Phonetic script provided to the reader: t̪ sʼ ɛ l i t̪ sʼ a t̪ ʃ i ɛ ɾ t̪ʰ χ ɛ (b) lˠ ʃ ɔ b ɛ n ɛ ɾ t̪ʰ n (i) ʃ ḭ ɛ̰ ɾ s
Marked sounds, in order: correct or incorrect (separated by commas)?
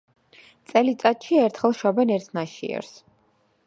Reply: incorrect, incorrect